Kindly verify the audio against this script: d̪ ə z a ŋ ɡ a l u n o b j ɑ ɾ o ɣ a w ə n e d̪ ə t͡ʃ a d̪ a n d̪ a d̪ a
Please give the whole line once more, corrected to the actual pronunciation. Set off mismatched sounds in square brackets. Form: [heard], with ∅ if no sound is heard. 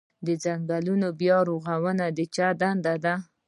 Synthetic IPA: d̪ ə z a ŋ ɡ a l u n o b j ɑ ɾ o ɣ a w ə n [a] d̪ ə t͡ʃ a d̪ a n d̪ a d̪ a